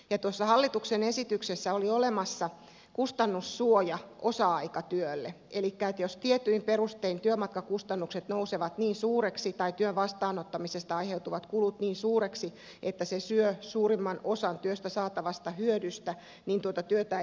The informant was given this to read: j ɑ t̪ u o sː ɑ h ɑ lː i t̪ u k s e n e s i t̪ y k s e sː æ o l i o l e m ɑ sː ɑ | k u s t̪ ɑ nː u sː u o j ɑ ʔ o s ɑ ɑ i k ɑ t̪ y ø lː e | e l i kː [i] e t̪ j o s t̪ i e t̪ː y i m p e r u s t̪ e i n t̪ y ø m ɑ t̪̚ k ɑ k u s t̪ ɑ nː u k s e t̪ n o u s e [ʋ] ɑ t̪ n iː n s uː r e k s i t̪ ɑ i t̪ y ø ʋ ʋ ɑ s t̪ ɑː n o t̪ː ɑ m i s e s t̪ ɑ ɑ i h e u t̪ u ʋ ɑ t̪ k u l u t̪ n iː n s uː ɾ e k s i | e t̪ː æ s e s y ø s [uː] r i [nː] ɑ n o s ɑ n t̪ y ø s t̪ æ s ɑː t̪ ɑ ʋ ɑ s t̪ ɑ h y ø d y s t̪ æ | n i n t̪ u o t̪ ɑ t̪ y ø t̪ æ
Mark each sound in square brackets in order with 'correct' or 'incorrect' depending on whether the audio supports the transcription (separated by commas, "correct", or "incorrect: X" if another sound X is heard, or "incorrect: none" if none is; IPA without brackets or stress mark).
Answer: incorrect: æ, correct, correct, incorrect: mː